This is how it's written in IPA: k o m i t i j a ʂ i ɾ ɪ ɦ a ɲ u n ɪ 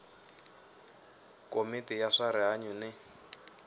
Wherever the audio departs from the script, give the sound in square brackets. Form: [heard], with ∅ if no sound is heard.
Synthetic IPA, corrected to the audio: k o m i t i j a ʂ [a] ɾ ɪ ɦ a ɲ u n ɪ